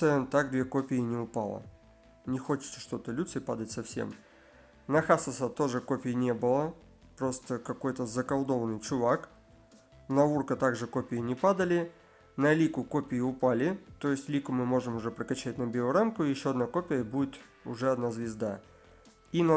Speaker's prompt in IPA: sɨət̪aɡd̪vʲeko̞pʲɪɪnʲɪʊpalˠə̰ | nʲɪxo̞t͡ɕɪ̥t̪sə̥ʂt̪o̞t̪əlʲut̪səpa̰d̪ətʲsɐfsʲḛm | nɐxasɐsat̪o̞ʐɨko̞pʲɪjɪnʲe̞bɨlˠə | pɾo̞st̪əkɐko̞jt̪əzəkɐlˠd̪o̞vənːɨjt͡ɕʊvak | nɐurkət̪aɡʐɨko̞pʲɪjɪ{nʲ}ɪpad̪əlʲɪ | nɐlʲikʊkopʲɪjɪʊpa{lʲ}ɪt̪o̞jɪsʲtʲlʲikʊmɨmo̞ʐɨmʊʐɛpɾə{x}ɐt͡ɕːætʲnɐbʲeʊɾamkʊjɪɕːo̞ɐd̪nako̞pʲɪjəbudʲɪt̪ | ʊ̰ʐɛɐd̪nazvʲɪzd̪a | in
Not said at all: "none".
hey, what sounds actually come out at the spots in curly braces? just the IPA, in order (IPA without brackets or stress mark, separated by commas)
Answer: nʲ, lʲ, k